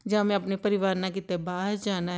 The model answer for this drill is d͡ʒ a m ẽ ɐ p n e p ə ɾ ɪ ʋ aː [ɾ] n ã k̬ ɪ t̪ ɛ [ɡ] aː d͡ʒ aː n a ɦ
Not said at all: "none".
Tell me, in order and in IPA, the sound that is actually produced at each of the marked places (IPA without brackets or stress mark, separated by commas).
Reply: ɾ, b